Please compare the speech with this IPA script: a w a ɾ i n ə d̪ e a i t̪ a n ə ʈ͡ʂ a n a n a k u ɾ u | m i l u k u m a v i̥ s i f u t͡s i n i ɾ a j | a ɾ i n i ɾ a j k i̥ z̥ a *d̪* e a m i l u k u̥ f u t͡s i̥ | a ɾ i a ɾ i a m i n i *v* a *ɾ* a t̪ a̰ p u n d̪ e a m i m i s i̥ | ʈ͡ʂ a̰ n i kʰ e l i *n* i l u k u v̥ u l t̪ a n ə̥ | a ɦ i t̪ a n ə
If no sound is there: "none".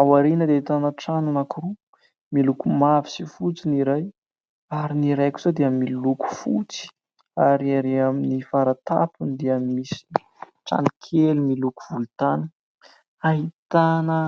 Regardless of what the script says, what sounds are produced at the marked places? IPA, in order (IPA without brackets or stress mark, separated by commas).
d̪, f, ɾ, m